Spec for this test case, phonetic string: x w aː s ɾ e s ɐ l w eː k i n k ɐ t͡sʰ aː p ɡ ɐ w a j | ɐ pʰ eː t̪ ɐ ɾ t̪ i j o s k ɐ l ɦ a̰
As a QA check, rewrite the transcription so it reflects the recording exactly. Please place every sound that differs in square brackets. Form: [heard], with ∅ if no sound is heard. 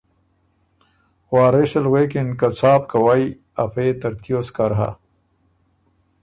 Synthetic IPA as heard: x w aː [∅] ɾ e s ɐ l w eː k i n k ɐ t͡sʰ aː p [k] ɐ w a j | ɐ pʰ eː t̪ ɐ ɾ t̪ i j o s k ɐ [ɾ] ɦ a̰